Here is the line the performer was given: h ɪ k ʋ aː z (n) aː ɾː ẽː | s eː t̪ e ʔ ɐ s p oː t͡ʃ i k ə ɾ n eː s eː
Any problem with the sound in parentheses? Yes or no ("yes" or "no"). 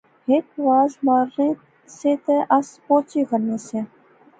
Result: yes